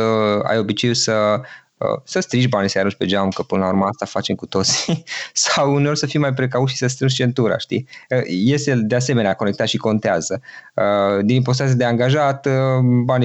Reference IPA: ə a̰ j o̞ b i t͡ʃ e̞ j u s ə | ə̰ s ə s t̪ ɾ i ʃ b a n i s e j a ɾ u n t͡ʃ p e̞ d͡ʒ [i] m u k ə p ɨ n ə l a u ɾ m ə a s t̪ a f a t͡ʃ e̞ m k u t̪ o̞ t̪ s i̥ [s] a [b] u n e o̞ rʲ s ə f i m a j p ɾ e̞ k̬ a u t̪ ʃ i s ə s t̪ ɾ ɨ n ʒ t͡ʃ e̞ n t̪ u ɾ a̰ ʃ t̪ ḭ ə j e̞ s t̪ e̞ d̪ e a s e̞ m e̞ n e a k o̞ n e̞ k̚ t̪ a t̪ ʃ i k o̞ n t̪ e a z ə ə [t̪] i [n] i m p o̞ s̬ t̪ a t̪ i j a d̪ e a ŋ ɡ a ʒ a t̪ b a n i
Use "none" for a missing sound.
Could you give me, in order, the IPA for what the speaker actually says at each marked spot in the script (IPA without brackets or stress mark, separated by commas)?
a, s, w, d̪, n